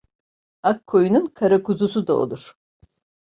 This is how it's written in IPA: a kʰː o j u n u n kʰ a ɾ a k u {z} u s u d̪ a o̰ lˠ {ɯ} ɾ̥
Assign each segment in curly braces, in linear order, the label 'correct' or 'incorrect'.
correct, incorrect

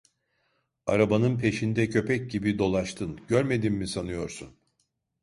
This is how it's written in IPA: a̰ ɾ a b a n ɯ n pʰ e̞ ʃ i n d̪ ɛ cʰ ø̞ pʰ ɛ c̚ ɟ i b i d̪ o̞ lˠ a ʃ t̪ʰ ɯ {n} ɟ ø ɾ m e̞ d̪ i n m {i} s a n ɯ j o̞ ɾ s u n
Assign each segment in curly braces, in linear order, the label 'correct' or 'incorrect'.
correct, correct

